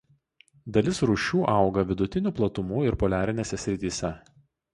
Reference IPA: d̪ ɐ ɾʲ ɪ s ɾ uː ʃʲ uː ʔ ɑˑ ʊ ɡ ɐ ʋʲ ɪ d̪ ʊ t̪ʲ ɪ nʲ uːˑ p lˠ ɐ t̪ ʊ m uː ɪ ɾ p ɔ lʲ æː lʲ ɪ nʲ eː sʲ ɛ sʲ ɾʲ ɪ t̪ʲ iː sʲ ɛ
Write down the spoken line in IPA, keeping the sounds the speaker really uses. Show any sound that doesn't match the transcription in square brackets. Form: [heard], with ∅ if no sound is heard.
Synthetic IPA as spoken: d̪ ɐ [lʲ] ɪ s ɾ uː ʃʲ uː ʔ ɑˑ ʊ ɡ ɐ ʋʲ ɪ d̪ ʊ t̪ʲ ɪ nʲ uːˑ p lˠ ɐ t̪ ʊ m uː ɪ ɾ p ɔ lʲ æː [ɾʲ] ɪ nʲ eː sʲ ɛ sʲ ɾʲ ɪ t̪ʲ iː sʲ ɛ

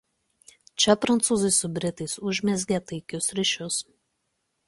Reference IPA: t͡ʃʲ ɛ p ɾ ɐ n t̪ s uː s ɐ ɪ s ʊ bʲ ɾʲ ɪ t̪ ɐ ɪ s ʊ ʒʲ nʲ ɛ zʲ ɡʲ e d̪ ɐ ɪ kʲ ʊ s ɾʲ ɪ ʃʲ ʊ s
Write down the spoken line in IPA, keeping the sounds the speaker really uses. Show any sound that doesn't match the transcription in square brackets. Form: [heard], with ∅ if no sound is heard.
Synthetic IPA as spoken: t͡ʃʲ ɛ p ɾ ɐ n t̪ s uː [z] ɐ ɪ s ʊ bʲ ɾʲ ɪ t̪ ɐ ɪ s ʊ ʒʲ [mʲ] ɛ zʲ ɡʲ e [t̪] ɐ ɪ kʲ ʊ s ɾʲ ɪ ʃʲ ʊ s

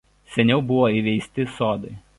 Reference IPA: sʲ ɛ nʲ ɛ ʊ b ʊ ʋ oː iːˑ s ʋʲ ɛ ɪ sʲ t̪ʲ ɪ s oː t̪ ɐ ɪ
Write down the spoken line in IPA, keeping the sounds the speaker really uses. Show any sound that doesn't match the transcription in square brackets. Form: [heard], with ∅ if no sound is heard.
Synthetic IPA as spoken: sʲ ɛ nʲ ɛ ʊ b ʊ ʋ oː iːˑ [∅] ʋʲ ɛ ɪ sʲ t̪ʲ ɪ s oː [d̪] ɐ ɪ

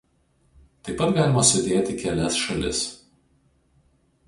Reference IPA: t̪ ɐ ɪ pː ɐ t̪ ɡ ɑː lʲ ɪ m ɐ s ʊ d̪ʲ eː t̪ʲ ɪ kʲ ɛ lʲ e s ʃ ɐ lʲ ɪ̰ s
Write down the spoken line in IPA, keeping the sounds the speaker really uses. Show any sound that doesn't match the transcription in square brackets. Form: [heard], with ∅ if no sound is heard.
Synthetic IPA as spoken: t̪ ɐ ɪ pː ɐ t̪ ɡ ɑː lʲ ɪ m ɐ s ʊ d̪ʲ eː t̪ʲ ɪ kʲ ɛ lʲ [ɛ] s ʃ ɐ lʲ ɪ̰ s

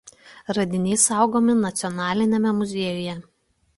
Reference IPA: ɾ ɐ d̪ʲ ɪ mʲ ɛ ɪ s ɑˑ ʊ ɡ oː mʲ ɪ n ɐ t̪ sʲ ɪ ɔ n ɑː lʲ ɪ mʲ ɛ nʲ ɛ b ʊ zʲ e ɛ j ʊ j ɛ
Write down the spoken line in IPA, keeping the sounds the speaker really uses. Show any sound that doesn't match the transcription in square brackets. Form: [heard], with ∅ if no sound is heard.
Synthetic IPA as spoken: ɾ ɐ d̪ʲ ɪ [nʲ] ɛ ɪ s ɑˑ ʊ ɡ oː mʲ ɪ n ɐ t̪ sʲ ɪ ɔ n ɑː lʲ ɪ [nʲ] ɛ [mʲ] ɛ [m] ʊ zʲ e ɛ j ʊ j ɛ

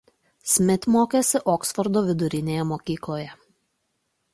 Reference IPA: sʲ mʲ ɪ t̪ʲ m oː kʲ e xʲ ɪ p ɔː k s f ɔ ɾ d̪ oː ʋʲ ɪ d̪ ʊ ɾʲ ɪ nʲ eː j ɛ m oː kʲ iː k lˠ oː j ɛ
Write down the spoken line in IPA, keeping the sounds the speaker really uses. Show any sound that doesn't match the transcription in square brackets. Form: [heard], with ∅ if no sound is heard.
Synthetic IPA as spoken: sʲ mʲ ɪ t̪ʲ m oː kʲ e [sʲ] ɪ [ʔ] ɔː k s f ɔ ɾ d̪ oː ʋʲ ɪ d̪ ʊ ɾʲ ɪ nʲ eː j ɛ m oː kʲ iː k lˠ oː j ɛ

